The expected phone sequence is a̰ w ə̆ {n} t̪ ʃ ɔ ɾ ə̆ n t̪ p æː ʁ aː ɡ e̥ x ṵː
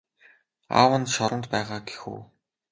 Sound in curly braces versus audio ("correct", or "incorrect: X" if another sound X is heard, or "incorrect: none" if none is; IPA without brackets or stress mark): correct